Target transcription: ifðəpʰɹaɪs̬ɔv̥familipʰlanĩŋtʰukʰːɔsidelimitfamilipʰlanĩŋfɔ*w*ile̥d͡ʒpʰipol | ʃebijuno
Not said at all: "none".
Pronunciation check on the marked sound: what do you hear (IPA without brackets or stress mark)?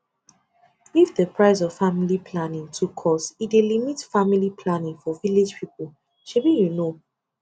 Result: v